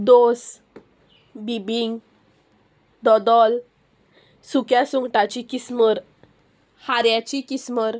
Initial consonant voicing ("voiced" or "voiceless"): voiced